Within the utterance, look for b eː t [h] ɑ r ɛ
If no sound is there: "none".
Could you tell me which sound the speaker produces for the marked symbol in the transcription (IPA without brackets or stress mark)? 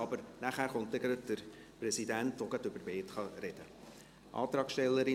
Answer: χ